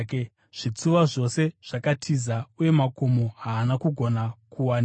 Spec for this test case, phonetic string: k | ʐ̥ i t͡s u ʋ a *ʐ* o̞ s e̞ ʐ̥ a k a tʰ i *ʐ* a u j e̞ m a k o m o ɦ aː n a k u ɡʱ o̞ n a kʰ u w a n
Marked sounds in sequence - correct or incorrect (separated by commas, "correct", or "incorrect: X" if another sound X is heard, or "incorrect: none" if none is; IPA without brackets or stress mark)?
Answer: correct, incorrect: z